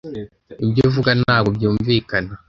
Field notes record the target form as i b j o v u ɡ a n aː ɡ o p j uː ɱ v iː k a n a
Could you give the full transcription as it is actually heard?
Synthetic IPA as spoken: i b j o v u ɡ a n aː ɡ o b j uː ɱ v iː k a n a